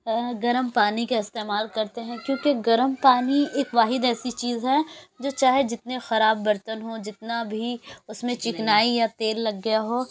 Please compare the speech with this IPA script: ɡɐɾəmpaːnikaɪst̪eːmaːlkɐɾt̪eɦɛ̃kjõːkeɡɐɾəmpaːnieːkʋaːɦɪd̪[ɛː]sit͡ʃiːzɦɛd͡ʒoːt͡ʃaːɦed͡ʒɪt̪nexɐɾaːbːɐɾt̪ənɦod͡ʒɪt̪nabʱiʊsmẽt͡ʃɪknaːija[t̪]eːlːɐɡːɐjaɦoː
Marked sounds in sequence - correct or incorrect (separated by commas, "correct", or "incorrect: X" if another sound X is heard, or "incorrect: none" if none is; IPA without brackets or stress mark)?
correct, correct